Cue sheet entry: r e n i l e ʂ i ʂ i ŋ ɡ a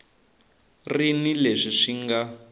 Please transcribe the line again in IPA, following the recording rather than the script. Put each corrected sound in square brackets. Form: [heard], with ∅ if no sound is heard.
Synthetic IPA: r [i] n i l e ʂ i ʂ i ŋ ɡ a